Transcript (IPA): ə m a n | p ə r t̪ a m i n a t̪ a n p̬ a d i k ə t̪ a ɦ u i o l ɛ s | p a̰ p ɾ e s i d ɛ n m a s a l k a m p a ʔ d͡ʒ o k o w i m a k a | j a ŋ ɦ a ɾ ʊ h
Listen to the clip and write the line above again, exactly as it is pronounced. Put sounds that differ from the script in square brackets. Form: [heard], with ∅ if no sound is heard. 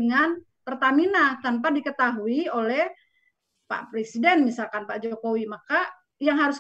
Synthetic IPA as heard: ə [ŋ] a n | p ə r t̪ a m i n a t̪ a n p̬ a d i k ə t̪ a ɦ u i o l ɛ [h] | p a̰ p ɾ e s i d ɛ n m [i] s a l k a [n] p a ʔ d͡ʒ o k o w i m a k a | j a ŋ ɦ a ɾ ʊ [s]